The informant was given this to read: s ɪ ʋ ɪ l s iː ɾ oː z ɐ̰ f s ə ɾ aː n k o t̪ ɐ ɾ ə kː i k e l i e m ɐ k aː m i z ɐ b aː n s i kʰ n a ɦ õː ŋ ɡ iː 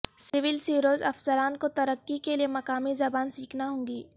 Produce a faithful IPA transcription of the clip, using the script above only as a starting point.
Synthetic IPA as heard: s ɪ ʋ ɪ l s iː ɾ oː z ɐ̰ f s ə ɾ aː n k o t̪ ɐ ɾ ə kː i k e l i e m ɐ k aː m i z ɐ b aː n s iː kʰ n a ɦ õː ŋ ɡ iː